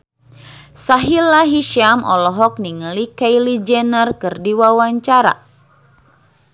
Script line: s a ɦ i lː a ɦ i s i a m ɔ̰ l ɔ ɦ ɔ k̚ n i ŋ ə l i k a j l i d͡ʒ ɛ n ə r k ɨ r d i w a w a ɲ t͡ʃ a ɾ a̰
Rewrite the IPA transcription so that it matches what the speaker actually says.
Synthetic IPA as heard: s a ɦ i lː a ɦ i ʃ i a m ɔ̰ l ɔ ɦ ɔ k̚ n i ŋ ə l i k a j l i d͡ʒ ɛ n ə r k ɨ r d i w a w a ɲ t͡ʃ a ɾ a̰